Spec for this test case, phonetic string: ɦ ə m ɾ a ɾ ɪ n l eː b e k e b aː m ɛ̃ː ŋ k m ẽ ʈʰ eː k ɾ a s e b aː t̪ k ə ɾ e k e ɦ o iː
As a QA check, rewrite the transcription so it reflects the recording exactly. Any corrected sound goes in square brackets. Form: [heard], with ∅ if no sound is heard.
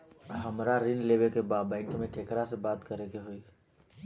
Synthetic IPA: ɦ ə m ɾ a ɾ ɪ n l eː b e k e b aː [b] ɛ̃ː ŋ k m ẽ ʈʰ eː k ɾ a s e b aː t̪ k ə ɾ e k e ɦ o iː